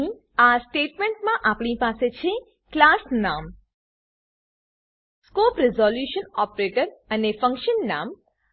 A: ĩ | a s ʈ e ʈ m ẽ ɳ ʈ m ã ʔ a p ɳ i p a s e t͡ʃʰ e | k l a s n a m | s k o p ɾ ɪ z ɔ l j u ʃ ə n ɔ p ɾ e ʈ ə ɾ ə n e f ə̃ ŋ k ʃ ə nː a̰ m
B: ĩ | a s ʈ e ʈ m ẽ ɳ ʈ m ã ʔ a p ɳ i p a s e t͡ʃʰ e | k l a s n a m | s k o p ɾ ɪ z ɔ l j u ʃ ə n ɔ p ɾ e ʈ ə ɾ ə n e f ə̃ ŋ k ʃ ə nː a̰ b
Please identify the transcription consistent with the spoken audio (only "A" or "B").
A